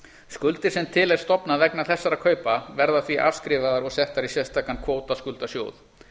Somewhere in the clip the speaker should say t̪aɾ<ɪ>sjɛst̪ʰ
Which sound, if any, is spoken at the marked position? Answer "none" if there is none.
i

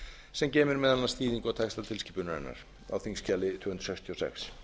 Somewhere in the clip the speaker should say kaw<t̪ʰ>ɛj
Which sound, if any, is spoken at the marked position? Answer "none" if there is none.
t̪ʰ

